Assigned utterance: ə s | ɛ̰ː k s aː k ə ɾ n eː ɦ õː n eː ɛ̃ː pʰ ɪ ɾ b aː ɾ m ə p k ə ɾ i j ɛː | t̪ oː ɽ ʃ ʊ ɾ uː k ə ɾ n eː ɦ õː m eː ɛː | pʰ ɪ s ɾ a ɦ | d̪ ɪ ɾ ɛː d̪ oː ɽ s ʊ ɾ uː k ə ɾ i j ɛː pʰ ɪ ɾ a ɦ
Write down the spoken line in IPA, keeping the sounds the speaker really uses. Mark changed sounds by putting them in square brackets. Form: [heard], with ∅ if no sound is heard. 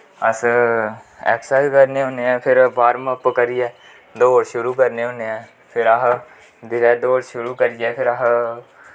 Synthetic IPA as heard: ə s | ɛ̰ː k s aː k ə ɾ n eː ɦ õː n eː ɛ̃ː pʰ ɪ ɾ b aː ɾ m ə p k ə ɾ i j ɛː | [d̪] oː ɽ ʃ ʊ ɾ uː k ə ɾ n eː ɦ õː [n] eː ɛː | pʰ ɪ [∅] ɾ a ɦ | d̪ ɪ ɾ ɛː d̪ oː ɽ [ʃ] ʊ ɾ uː k ə ɾ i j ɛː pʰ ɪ ɾ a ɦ

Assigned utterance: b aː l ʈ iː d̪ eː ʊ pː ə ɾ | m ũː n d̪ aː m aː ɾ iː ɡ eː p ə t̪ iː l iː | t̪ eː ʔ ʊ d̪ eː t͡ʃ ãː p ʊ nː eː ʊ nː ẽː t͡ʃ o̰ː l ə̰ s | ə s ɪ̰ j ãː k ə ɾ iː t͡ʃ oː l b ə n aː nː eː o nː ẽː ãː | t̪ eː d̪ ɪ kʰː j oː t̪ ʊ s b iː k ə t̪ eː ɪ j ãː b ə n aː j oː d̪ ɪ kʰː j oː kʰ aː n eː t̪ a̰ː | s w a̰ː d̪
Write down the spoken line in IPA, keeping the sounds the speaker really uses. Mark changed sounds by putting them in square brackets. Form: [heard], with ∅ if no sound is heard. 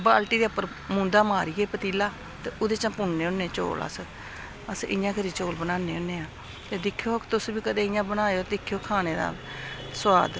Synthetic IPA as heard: b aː l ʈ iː d̪ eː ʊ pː ə ɾ | m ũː n d̪ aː m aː ɾ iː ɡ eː p ə t̪ iː l [aː] | t̪ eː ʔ ʊ d̪ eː t͡ʃ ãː p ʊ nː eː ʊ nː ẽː t͡ʃ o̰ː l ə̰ s | ə s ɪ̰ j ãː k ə ɾ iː t͡ʃ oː l b ə n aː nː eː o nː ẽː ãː | t̪ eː d̪ ɪ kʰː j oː t̪ ʊ s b iː k ə [d̪] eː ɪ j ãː b ə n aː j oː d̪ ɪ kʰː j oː kʰ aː n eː [d̪] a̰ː | s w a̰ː d̪

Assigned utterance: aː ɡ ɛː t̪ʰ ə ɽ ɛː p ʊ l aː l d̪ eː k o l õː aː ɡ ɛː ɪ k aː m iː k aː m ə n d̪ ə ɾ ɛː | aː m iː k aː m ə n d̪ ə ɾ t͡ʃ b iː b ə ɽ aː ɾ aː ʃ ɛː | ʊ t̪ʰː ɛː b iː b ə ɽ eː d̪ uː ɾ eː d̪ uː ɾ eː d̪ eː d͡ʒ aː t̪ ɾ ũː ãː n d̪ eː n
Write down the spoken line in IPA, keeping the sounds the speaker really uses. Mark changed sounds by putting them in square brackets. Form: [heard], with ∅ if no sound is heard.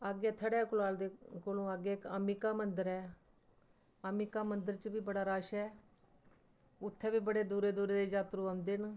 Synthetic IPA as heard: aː ɡ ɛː t̪ʰ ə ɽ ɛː [k] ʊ l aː l d̪ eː k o l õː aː ɡ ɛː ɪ k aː m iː k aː m ə n d̪ ə ɾ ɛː | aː m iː k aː m ə n d̪ ə ɾ t͡ʃ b iː b ə ɽ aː ɾ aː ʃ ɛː | ʊ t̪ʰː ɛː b iː b ə ɽ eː d̪ uː ɾ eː d̪ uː ɾ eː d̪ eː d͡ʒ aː t̪ ɾ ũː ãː n d̪ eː n

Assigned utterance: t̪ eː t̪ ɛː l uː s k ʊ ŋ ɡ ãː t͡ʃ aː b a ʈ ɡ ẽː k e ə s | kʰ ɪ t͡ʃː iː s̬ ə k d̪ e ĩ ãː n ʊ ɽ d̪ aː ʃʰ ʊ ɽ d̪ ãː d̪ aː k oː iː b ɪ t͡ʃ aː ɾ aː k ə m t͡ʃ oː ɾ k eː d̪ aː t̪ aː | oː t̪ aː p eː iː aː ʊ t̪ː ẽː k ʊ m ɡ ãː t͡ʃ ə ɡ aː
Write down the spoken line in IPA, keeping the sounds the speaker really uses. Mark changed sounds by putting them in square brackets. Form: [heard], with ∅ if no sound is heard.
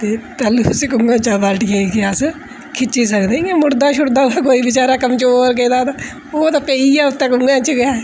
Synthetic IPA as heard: t̪ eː t̪ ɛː l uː s k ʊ ŋ ɡ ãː t͡ʃ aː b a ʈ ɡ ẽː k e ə s | kʰ ɪ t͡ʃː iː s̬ ə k d̪ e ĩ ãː [m] ʊ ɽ d̪ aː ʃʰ ʊ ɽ d̪ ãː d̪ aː k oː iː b ɪ t͡ʃ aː ɾ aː k ə m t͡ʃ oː ɾ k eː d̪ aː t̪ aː | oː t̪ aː p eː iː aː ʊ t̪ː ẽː k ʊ [ŋ] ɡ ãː t͡ʃ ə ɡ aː

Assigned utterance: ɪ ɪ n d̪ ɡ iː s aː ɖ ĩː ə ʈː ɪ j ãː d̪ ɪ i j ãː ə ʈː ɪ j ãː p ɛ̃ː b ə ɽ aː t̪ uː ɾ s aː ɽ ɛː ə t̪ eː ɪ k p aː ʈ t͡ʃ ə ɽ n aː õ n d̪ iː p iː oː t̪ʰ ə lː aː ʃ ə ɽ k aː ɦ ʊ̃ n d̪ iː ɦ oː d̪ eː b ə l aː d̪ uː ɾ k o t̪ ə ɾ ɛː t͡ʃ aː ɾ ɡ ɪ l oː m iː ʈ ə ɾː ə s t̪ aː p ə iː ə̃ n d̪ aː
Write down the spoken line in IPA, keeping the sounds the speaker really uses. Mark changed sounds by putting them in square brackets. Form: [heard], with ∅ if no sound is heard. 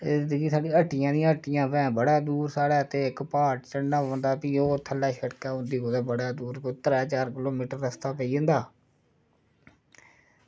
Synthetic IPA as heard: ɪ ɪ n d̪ ɡ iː s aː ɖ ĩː ə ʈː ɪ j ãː d̪ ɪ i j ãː ə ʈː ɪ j ãː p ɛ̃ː b ə ɽ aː [d̪] uː ɾ s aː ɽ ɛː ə t̪ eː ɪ k p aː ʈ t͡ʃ ə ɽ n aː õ n d̪ [aː] p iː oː t̪ʰ ə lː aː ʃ ə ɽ k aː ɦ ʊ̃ n d̪ iː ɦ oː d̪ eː b ə [ɽ] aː d̪ uː ɾ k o t̪ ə ɾ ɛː t͡ʃ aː ɾ [k] ɪ l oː m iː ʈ ə ɾː ə s t̪ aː p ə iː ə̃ n d̪ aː

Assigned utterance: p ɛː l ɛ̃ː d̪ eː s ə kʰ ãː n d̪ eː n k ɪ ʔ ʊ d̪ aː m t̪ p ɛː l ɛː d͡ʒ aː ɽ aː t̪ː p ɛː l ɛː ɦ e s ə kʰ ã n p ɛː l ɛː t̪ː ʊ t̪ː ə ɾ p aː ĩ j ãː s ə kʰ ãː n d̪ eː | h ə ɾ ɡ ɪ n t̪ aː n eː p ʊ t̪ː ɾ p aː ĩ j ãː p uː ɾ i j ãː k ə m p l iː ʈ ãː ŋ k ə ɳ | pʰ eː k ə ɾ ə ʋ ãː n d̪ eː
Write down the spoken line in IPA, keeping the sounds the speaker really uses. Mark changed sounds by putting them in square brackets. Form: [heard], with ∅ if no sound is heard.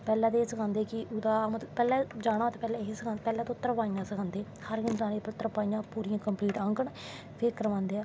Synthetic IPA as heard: p ɛː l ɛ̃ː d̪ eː s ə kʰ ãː n d̪ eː [∅] k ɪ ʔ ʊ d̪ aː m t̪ p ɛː l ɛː d͡ʒ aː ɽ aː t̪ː p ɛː l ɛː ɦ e s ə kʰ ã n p ɛː l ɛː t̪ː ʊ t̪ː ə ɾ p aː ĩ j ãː s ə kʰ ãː n d̪ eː | h ə ɾ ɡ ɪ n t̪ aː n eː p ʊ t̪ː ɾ p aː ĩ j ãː p uː ɾ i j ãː k ə m p l iː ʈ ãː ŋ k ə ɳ | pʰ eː k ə ɾ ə ʋ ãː n d̪ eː

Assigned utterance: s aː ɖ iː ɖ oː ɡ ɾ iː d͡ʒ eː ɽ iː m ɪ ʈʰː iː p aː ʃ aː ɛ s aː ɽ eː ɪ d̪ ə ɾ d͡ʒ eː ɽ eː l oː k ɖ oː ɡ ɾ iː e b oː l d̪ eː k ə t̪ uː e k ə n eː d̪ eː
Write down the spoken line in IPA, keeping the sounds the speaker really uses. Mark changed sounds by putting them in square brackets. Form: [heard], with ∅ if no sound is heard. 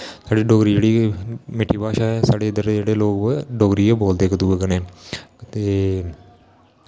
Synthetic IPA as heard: s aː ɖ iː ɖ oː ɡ ɾ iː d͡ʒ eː ɽ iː m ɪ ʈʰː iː p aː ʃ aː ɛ s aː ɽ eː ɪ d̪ ə ɾ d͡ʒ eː ɽ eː l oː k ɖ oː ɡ ɾ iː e b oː l d̪ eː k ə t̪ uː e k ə n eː [t̪] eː

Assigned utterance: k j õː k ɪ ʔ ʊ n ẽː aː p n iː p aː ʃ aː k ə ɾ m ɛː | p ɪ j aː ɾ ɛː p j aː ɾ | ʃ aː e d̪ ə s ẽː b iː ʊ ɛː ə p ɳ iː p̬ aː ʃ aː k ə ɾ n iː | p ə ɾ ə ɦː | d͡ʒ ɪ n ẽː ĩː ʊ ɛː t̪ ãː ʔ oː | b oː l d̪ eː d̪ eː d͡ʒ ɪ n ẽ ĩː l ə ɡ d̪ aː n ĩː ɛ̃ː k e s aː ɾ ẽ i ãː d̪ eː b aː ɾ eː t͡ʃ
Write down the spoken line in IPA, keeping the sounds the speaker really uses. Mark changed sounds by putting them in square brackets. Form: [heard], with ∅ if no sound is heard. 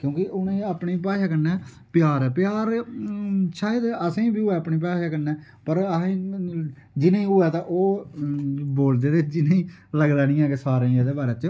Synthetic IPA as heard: k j õː k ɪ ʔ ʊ n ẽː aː p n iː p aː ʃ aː k ə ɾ [n] ɛː | p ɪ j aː ɾ ɛː p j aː ɾ | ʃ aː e d̪ ə s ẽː b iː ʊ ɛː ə p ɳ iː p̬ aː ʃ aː k ə ɾ n [ɛː] | p ə ɾ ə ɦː | d͡ʒ ɪ n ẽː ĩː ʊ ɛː t̪ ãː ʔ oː | b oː l d̪ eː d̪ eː d͡ʒ ɪ n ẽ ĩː l ə ɡ d̪ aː n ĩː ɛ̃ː k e s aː ɾ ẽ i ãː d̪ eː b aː ɾ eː t͡ʃ

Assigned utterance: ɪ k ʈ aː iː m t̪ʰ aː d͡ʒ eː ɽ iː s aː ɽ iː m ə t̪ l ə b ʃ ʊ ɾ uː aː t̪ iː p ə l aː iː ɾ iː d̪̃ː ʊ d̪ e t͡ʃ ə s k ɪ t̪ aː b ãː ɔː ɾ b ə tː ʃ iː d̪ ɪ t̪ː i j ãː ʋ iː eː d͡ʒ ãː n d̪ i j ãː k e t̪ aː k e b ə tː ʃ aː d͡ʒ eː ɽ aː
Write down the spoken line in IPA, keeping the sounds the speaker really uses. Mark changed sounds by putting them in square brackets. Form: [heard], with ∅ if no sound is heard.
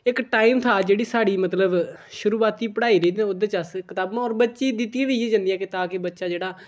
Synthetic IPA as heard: ɪ k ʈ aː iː m t̪ʰ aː d͡ʒ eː ɽ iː s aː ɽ iː m ə t̪ l ə b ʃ ʊ ɾ uː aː t̪ iː p ə [ɽ] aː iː ɾ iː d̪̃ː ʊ d̪ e t͡ʃ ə s k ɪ t̪ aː b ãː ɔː ɾ b ə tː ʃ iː d̪ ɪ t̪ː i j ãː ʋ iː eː d͡ʒ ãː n d̪ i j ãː k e t̪ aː k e b ə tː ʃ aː d͡ʒ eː ɽ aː

